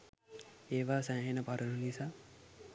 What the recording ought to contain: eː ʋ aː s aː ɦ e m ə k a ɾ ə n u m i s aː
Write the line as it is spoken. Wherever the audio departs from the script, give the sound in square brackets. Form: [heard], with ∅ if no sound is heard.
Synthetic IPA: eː ʋ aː s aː ɦ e [n] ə [p] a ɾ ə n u [n] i s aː